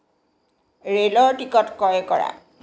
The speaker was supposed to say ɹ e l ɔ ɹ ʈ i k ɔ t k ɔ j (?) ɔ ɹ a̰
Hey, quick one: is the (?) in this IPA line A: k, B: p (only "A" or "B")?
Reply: A